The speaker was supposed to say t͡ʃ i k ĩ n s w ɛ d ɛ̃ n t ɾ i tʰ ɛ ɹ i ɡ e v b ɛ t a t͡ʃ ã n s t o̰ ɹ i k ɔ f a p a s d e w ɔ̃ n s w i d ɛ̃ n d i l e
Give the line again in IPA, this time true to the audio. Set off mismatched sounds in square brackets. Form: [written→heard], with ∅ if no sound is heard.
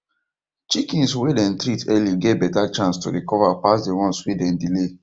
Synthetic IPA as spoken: t͡ʃ i k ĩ n s w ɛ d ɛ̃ n t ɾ i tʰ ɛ [ɹ→l] i ɡ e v b ɛ t a t͡ʃ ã n s t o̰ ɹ i k ɔ [f→v] a p a s d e w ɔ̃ n s w i d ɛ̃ n d i l e

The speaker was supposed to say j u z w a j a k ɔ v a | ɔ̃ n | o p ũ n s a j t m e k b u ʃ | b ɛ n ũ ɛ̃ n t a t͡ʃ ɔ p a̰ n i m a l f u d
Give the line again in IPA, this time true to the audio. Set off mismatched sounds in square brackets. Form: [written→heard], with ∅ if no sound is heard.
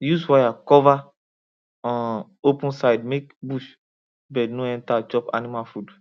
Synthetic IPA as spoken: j u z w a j a k ɔ v a | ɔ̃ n | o p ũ n s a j [t→d] m e k b u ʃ | b ɛ n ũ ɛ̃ n t a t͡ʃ ɔ p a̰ n i m a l f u d

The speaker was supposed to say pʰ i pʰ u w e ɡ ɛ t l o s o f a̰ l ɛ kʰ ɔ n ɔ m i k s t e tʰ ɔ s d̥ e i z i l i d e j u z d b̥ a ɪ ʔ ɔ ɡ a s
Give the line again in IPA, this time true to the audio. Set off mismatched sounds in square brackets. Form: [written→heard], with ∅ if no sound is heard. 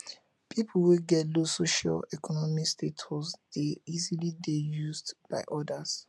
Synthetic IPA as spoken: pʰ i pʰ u w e ɡ ɛ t l o s o [f→ʃ] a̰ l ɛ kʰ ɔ n ɔ m i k s t e tʰ ɔ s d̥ e i z i l i d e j u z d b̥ a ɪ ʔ ɔ [ɡ→d] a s

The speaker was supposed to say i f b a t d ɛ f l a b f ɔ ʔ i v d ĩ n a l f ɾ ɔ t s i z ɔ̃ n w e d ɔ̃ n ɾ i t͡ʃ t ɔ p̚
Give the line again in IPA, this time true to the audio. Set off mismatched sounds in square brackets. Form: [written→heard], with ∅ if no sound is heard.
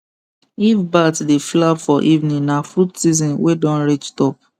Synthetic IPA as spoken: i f b a t d [ɛ→e] f l a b f ɔ ʔ i v [d→n] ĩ n a [l→∅] f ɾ [ɔ→u] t s i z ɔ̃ n w e d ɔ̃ n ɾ i t͡ʃ t ɔ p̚

